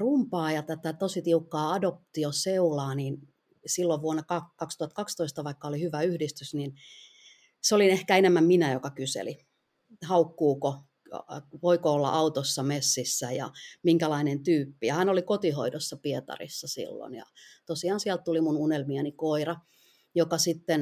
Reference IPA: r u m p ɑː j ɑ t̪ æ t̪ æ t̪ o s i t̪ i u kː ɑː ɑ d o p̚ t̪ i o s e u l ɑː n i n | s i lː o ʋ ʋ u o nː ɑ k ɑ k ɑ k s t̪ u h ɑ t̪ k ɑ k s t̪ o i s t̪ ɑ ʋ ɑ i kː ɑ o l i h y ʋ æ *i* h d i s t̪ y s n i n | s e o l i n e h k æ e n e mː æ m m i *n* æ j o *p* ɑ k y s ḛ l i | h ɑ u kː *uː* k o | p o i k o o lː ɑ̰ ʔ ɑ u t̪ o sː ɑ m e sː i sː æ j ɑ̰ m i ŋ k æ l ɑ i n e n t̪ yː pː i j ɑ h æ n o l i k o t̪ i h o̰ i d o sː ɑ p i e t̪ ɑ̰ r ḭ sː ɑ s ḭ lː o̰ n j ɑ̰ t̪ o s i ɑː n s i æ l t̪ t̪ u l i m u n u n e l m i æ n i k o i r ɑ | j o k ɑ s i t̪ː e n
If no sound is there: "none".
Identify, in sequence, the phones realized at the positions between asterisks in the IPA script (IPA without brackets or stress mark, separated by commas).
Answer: y, n, k, uː